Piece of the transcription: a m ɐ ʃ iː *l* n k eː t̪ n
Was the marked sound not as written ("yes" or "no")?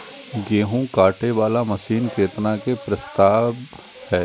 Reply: yes